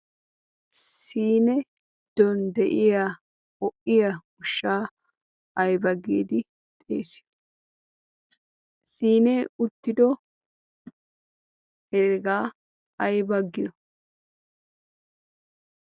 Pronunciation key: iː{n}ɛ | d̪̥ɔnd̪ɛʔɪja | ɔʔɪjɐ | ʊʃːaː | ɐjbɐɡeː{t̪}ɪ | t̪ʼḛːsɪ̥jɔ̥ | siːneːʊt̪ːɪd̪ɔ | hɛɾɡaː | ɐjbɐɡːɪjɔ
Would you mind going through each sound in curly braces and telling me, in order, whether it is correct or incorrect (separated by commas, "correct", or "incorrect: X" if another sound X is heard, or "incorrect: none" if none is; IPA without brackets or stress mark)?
correct, incorrect: d̪